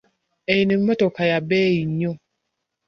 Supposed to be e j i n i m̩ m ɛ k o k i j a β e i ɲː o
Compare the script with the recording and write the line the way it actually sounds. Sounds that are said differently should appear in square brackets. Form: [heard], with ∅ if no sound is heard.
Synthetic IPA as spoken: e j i n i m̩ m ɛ [t] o k [a] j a [b] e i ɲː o

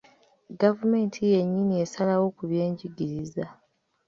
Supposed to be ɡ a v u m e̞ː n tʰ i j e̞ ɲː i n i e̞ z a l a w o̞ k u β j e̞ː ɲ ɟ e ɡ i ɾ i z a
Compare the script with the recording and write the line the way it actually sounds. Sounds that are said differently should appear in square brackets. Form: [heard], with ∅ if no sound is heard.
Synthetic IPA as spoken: ɡ a v u m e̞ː n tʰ i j e̞ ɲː i n i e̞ [s] a l a w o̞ k u β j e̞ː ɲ ɟ [i] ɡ i ɾ i z a

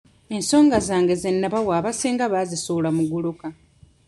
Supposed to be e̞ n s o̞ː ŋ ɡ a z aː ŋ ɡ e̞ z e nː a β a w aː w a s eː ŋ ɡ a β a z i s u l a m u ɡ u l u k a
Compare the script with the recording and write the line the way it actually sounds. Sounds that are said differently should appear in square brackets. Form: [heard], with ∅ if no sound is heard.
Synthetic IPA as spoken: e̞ n s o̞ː ŋ ɡ a z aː ŋ ɡ e̞ z e nː a β a w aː [β] a s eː ŋ ɡ a β a z i s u l a m u ɡ u l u k a

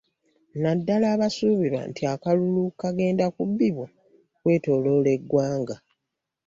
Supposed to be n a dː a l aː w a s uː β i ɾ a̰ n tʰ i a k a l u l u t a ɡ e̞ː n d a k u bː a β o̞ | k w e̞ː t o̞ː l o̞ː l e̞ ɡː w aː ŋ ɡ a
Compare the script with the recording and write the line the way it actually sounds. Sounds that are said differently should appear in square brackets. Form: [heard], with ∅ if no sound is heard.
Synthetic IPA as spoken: n a dː a l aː [β] a s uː β i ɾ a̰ n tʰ i a k a l u l u [k] a ɡ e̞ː n d a k u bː [i] β o̞ | k w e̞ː t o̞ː l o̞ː l e̞ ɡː w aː ŋ ɡ a

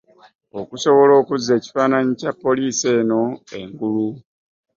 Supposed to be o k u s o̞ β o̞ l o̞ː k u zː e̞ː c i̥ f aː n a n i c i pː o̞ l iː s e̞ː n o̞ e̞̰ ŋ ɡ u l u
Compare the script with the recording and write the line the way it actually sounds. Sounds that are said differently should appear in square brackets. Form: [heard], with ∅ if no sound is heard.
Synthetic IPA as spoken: o k u s o̞ β o̞ l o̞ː k u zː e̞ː c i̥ f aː n a [ɲ] i c [a] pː o̞ l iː s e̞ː n o̞ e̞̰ ŋ ɡ u l u

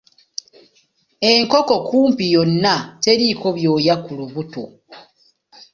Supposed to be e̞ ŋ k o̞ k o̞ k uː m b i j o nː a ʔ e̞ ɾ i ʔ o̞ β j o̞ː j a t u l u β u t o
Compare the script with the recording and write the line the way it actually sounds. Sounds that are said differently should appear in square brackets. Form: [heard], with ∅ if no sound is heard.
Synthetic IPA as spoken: e̞ ŋ k o̞ k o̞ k uː m [p] i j o nː a [t] e̞ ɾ i [k] o̞ β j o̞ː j a [k] u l u β u t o

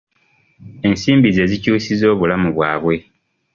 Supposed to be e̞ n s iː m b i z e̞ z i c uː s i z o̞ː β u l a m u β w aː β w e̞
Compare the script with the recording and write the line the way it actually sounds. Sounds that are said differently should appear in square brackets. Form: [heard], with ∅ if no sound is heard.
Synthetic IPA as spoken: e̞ n s iː m b i z e̞ z i c uː s i z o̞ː β u l a m u β w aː β w e̞

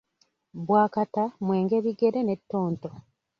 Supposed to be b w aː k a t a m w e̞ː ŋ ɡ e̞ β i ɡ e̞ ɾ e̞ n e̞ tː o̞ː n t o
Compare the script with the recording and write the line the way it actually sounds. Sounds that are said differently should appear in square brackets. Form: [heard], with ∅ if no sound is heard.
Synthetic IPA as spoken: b w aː k a t a m w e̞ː ŋ ɡ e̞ β i ɡ e̞ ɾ e̞ n e̞ tː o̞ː n t o

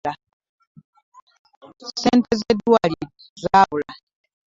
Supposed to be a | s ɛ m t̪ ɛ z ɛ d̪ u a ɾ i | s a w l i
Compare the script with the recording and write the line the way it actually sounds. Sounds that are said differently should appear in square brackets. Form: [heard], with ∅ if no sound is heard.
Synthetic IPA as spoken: a | s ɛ [n] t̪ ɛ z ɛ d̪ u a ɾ i | [z] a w l [a]

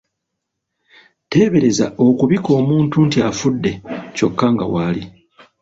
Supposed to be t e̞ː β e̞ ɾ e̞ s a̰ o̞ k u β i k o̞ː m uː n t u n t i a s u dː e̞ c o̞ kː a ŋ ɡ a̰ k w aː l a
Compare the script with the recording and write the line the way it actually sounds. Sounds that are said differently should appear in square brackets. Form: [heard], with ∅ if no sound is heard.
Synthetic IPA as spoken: t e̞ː β e̞ ɾ e̞ [z] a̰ o̞ k u β i k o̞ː m uː n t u n t i a [f] u dː e̞ c o̞ kː a ŋ ɡ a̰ [∅] w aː l [i]

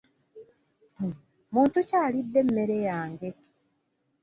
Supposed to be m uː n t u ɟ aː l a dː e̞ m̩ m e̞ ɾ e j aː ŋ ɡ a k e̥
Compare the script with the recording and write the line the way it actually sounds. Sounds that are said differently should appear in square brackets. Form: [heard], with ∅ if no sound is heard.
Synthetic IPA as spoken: m uː n t u [c] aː l [i] dː e̞ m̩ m e̞ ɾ e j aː ŋ ɡ [e] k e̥

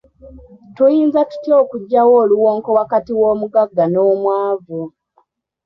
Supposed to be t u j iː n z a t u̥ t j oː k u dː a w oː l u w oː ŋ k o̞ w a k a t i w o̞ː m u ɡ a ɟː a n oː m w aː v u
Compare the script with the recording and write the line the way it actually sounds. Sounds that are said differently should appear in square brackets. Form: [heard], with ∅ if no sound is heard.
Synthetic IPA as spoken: t u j iː n z a t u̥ t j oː k u [ɟː] a w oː l u w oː ŋ k o̞ w a k a t i w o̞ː m u ɡ a [ɡː] a n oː m w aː v u

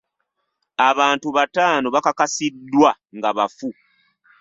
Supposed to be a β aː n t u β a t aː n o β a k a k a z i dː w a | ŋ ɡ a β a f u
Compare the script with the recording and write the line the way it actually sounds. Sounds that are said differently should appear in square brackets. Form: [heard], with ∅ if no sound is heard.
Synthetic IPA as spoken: a β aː n t u β a t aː n o β a k a k a [s] i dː w a | ŋ ɡ a β a f u

